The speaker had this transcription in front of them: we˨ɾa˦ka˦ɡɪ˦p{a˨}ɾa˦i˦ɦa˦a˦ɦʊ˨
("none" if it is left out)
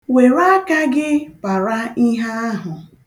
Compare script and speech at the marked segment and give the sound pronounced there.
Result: a˨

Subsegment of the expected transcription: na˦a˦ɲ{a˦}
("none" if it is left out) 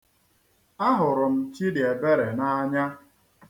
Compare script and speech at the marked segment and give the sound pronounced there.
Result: a˦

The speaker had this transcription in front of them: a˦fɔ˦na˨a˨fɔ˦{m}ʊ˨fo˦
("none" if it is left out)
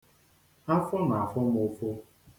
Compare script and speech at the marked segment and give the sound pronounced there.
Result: m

